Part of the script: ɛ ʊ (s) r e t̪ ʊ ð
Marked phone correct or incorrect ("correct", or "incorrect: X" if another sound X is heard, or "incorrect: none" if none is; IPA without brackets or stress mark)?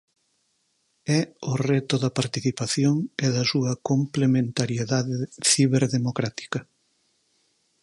incorrect: none